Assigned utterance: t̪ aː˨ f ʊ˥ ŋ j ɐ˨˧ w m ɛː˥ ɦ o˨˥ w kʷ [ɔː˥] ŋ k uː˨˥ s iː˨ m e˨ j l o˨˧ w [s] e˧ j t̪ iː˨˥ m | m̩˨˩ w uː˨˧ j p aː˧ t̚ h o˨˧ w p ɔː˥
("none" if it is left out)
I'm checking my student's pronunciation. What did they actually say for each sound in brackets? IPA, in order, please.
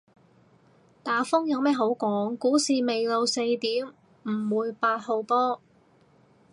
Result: ɔː˨˥, s

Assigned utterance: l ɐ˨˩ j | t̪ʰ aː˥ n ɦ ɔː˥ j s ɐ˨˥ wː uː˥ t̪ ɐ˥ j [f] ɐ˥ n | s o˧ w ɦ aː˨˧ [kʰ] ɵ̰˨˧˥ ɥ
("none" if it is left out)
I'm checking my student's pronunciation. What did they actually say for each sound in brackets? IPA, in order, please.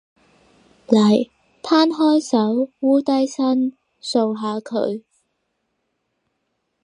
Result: s, kʰ

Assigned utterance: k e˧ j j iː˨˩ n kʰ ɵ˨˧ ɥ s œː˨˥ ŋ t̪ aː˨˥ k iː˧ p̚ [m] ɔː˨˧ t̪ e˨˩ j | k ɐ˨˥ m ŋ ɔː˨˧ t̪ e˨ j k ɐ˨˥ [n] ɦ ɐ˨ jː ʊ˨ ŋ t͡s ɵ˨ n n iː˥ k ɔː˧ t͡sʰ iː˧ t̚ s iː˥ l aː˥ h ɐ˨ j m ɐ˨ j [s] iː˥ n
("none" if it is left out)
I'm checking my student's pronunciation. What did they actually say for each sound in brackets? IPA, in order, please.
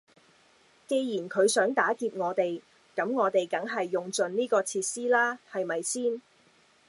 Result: ŋ, ŋ, s

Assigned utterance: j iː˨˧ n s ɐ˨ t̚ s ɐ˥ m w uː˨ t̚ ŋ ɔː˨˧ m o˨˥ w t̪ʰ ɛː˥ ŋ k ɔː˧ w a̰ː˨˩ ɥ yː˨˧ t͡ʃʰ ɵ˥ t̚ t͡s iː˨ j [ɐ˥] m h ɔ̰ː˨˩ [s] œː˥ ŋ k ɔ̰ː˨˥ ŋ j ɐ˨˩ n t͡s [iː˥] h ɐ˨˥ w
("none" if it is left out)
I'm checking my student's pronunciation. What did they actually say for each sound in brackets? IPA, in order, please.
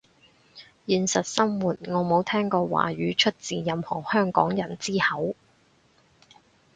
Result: ɐ˨, h, iː˥

